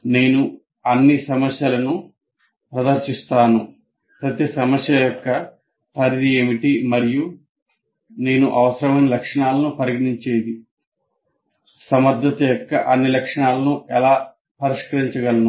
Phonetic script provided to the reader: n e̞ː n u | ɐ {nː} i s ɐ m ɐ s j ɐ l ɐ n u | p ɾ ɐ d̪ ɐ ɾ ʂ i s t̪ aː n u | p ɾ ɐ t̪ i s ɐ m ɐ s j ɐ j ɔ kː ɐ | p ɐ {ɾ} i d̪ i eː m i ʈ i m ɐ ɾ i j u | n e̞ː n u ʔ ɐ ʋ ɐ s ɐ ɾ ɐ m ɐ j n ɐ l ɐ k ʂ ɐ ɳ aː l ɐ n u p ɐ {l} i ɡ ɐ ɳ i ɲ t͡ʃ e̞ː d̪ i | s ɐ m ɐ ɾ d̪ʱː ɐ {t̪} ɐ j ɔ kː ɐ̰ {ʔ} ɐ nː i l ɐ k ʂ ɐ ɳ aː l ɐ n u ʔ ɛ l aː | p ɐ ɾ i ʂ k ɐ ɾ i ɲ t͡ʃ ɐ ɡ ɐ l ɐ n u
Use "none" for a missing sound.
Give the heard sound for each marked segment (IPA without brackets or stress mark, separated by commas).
nː, ɾ, ɾ, t̪, ʔ